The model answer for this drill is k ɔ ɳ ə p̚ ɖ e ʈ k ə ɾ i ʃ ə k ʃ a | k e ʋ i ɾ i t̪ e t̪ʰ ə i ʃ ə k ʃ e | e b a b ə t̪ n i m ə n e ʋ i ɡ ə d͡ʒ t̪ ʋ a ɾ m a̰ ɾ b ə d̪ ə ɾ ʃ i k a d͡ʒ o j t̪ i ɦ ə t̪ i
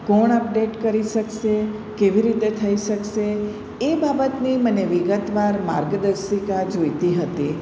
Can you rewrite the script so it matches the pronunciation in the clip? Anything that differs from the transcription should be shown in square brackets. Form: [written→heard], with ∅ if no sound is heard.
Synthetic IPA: k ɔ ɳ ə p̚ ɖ e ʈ k ə ɾ i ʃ ə k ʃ [a→e] | k e ʋ i ɾ i t̪ e t̪ʰ ə i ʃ ə k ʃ e | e b a b ə t̪ n i m ə n e ʋ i ɡ ə [d͡ʒ→∅] t̪ ʋ a ɾ m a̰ ɾ [b→ɡ] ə d̪ ə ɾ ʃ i k a d͡ʒ o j t̪ i ɦ ə t̪ i

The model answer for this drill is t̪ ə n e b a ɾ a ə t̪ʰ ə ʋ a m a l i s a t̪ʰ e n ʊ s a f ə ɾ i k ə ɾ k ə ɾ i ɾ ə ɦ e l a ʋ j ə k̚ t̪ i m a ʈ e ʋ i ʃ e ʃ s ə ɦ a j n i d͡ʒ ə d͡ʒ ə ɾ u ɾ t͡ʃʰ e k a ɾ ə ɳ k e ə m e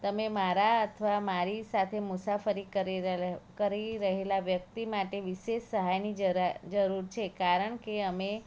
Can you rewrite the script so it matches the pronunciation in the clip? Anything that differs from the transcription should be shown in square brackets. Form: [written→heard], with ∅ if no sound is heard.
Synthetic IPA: t̪ ə [n→m] e [b→m] a ɾ a ə t̪ʰ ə ʋ a m a [l→ɾ] i s a t̪ʰ e [n→m] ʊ s a f ə ɾ i k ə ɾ k ə ɾ i ɾ ə ɦ e l a ʋ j ə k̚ t̪ i m a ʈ e ʋ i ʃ e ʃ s ə ɦ a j n i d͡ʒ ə d͡ʒ ə ɾ u ɾ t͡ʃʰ e k a ɾ ə ɳ k e ə m e

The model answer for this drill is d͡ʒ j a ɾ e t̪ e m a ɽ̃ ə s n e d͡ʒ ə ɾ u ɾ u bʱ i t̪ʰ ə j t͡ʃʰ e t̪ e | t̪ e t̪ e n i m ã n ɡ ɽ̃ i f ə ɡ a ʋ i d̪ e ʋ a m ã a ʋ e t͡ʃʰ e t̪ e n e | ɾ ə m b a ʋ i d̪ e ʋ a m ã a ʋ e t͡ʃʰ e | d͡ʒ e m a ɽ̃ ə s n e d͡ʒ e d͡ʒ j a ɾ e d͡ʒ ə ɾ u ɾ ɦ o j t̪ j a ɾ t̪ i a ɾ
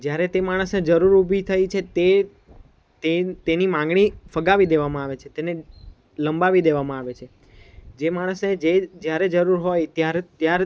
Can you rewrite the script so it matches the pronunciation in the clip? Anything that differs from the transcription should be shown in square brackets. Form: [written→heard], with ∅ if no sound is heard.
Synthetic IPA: d͡ʒ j a ɾ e t̪ e m a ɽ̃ ə s n e d͡ʒ ə ɾ u ɾ u bʱ i t̪ʰ ə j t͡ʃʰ e t̪ e | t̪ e t̪ e n i m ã [n→ŋ] ɡ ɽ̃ i f ə ɡ a ʋ i d̪ e ʋ a m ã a ʋ e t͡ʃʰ e t̪ e n e | [ɾ→l] ə m b a ʋ i d̪ e ʋ a m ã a ʋ e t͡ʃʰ e | d͡ʒ e m a ɽ̃ ə s n e d͡ʒ e d͡ʒ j a ɾ e d͡ʒ ə ɾ u ɾ ɦ o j t̪ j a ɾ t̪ [i→j] a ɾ

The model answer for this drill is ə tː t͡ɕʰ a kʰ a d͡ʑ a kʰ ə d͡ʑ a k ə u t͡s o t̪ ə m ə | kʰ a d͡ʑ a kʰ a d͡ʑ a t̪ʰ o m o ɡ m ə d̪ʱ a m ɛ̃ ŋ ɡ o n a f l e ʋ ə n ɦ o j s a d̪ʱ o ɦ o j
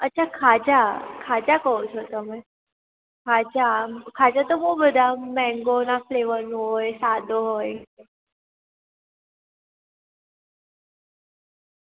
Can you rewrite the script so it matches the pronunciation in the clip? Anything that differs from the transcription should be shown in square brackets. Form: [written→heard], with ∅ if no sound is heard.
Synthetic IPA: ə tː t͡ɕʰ a kʰ a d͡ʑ a kʰ [ə→a] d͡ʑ a k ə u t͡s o t̪ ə m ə | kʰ a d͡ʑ a kʰ a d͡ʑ a [t̪ʰ→t̪] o m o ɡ [m→b] ə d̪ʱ a m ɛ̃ ŋ ɡ o n a f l e ʋ ə n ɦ o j s a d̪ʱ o ɦ o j

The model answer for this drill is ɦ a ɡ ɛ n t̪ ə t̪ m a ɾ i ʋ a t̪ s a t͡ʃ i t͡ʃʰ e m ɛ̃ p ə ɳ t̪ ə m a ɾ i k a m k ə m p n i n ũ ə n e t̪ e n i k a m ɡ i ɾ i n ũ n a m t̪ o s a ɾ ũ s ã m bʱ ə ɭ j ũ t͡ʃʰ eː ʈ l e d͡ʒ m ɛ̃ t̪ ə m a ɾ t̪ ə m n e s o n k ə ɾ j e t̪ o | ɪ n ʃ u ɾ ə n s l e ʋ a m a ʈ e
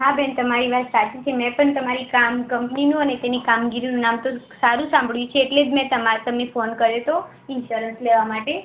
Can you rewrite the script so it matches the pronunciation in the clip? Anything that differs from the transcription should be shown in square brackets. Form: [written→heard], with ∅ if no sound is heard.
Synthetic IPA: ɦ a [ɡ→b] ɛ n t̪ ə [t̪→∅] m a ɾ i ʋ a t̪ s a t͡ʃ i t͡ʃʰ e m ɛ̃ p ə ɳ t̪ ə m a ɾ i k a m k ə m p n i n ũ ə n e t̪ e n i k a m ɡ i ɾ i n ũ n a m t̪ o s a ɾ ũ s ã m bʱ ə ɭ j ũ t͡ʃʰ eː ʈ l e d͡ʒ m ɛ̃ t̪ ə m a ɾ t̪ ə m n e [s→f] o n k ə ɾ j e t̪ o | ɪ n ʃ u ɾ ə n s l e ʋ a m a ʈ e

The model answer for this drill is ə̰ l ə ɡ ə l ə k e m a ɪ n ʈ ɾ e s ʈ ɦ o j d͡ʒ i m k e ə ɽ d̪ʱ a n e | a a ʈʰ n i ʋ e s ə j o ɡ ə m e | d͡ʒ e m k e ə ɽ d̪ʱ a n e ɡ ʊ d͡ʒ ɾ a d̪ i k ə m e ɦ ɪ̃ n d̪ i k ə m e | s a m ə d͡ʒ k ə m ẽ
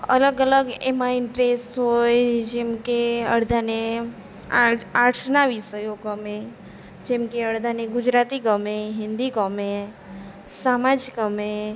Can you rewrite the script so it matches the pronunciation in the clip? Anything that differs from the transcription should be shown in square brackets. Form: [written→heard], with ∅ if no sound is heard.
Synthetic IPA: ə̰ l ə ɡ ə l ə [k→ɡ] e m a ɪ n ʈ ɾ e s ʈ ɦ o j d͡ʒ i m k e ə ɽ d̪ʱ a n e | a a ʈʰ n [i→a] ʋ [e→i] s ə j o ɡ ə m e | d͡ʒ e m k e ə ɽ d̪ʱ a n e ɡ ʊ d͡ʒ ɾ a [d̪→t̪] i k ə m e ɦ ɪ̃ n d̪ i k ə m e | s a m [ə→a] d͡ʒ k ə m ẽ

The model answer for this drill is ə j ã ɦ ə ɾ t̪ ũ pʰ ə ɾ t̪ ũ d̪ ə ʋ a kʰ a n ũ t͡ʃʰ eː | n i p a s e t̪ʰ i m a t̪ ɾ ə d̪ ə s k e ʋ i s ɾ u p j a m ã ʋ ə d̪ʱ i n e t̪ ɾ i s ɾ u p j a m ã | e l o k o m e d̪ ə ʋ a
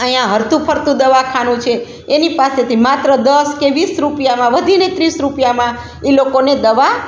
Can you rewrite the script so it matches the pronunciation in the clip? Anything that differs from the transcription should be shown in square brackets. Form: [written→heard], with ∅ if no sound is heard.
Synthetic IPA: ə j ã ɦ ə ɾ t̪ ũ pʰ ə ɾ t̪ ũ d̪ ə ʋ a kʰ a n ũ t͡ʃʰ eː | n i p a s e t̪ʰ i m a t̪ ɾ ə d̪ ə s k e ʋ i s ɾ u p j a m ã ʋ ə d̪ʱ i n e t̪ ɾ i s ɾ u p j a m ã | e l o k o [m→n] e d̪ ə ʋ a

